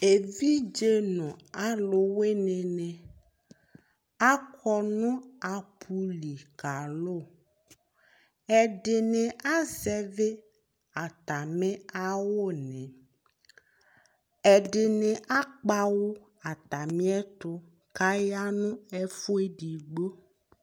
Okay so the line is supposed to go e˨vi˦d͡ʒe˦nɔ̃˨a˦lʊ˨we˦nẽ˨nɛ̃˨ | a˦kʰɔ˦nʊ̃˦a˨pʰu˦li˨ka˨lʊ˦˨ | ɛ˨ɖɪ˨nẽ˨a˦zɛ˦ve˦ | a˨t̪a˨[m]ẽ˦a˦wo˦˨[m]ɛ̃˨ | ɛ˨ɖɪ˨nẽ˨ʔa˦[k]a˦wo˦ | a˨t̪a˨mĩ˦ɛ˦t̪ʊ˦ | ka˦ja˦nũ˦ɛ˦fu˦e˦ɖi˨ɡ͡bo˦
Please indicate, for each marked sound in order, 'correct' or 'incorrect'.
correct, incorrect, incorrect

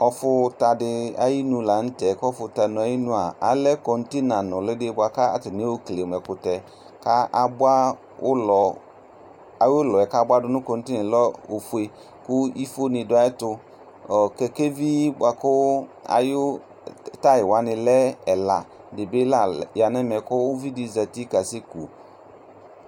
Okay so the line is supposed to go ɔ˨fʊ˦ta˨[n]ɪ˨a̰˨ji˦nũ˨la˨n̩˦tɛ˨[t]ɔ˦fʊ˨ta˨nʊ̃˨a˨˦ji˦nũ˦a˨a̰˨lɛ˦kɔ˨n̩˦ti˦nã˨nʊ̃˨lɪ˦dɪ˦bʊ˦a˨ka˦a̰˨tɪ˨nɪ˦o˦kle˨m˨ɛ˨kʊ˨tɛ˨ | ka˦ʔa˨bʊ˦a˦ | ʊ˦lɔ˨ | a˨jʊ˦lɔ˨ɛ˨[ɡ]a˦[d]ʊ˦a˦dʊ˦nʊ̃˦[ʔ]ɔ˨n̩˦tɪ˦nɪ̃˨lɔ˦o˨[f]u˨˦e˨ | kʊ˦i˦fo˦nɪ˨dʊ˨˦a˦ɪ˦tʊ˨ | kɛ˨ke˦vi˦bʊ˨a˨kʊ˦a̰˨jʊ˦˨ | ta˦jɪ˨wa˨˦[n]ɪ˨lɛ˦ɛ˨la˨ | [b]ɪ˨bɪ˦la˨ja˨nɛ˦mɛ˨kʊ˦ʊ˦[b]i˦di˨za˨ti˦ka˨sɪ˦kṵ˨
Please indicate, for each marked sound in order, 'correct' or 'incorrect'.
incorrect, incorrect, incorrect, incorrect, incorrect, correct, correct, incorrect, incorrect

